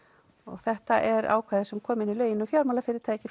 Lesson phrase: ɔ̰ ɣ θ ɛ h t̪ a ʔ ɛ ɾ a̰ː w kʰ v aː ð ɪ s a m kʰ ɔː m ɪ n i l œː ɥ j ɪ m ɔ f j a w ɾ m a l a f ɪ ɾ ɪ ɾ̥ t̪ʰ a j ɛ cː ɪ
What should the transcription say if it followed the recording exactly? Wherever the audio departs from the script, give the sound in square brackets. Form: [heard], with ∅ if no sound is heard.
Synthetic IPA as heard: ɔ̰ ɣ θ ɛ h t̪ a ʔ ɛ ɾ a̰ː w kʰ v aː ð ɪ s [ɛ] m kʰ ɔː m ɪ n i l œː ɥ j ɪ [n] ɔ f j a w ɾ m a l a f ɪ ɾ ɪ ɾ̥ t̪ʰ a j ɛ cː ɪ